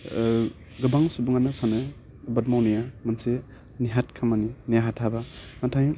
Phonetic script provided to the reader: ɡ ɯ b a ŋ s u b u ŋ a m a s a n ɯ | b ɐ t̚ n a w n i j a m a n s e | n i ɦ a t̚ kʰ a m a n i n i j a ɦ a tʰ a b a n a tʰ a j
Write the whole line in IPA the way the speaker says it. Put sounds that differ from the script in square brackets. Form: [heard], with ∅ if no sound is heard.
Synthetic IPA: ɡ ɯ b a ŋ s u b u ŋ a [n] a s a n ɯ | b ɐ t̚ [m] a w n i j a m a n s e | n i ɦ a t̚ kʰ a m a n i n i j a ɦ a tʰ a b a n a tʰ a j